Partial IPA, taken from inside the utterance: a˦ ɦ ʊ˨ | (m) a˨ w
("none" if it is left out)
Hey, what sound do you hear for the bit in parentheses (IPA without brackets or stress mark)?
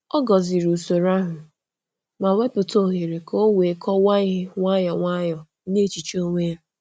m